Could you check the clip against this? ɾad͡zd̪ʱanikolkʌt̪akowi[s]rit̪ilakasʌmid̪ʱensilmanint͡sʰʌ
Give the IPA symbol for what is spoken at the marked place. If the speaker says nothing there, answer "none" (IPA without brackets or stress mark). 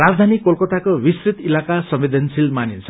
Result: s